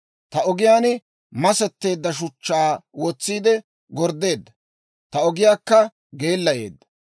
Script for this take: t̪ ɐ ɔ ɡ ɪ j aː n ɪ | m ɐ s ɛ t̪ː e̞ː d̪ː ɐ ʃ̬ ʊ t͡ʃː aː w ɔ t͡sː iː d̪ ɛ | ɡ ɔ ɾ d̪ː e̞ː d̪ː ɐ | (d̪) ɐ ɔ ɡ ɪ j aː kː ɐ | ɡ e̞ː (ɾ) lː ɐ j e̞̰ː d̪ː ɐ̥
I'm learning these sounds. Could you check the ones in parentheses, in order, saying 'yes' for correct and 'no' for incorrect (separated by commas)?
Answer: no, no